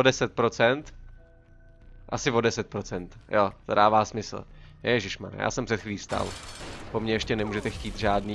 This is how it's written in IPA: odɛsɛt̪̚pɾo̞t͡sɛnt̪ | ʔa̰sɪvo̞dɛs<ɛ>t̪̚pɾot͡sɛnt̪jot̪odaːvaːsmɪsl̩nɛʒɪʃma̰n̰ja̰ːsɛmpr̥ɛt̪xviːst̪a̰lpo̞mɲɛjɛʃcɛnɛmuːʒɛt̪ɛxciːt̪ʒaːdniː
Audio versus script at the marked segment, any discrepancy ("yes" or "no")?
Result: no